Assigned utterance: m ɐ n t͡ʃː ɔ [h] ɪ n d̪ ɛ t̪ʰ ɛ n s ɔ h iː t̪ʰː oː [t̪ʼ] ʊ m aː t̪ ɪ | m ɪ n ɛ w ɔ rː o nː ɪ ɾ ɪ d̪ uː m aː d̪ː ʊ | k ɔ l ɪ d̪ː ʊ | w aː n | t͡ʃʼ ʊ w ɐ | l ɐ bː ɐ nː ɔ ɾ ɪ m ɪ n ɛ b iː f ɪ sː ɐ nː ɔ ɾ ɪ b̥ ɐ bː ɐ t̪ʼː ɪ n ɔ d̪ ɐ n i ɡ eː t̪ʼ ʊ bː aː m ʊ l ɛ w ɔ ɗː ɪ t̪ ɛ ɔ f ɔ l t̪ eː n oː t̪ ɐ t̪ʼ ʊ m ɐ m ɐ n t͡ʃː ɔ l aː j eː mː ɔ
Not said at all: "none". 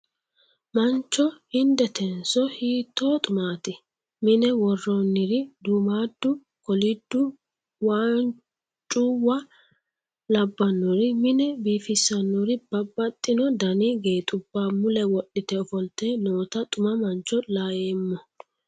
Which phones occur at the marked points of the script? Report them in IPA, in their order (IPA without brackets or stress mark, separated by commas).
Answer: h, t̪ʼ